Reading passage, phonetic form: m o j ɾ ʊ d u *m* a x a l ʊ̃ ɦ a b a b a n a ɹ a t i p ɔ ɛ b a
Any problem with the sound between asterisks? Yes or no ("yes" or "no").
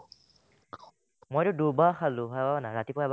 yes